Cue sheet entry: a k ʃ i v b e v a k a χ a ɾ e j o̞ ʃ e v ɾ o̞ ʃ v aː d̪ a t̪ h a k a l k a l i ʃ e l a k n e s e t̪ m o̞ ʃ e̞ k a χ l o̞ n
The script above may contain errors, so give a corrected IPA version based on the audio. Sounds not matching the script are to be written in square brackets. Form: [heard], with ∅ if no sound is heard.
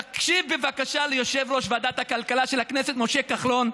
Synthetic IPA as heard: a k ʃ i v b e v a k a [ʃ] a [l] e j o̞ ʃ e v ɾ o̞ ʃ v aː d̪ a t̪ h a k a l k a l [a] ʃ e l a k n e s e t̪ m o̞ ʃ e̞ k a χ l o̞ n